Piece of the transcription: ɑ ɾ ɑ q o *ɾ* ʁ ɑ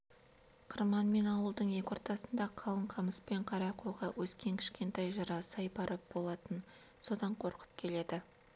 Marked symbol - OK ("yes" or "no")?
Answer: no